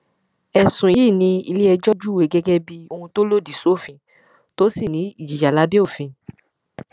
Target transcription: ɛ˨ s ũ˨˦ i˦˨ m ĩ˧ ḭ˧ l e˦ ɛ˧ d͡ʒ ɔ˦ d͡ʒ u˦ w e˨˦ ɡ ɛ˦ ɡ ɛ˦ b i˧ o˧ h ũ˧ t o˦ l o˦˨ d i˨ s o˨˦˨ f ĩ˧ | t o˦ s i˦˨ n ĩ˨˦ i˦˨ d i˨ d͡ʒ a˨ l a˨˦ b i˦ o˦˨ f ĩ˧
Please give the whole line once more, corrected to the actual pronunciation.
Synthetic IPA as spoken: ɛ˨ s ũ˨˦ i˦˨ n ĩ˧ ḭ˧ l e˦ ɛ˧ d͡ʒ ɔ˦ d͡ʒ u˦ w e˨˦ ɡ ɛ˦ ɡ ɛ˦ b i˧ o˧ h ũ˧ t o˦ l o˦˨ d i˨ s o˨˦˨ f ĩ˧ | t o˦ s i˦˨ n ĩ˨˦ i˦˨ d͡ʒ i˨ d͡ʒ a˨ l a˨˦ b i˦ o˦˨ f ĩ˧